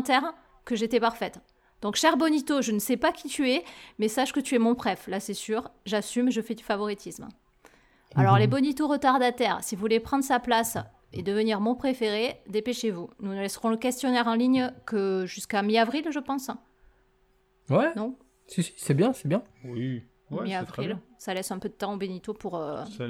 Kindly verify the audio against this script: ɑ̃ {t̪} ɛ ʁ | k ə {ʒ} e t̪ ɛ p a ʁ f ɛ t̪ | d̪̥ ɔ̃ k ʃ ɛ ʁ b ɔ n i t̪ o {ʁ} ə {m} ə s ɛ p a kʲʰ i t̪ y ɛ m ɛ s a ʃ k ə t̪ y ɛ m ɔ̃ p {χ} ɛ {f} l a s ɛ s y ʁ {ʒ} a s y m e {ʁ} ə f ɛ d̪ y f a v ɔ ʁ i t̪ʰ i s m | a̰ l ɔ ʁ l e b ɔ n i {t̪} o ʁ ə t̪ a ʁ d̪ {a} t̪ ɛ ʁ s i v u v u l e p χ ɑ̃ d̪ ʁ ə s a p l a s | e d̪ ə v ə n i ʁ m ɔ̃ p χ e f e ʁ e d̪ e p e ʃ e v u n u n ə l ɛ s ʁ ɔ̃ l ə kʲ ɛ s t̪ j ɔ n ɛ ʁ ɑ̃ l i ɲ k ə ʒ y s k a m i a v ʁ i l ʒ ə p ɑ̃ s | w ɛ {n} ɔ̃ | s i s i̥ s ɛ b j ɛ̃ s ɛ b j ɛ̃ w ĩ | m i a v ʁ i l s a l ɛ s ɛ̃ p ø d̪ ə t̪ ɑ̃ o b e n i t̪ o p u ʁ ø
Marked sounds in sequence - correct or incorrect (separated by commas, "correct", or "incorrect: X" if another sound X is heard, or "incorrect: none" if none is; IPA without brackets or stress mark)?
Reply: correct, correct, incorrect: ʒ, incorrect: n, correct, correct, correct, incorrect: ʒ, correct, correct, correct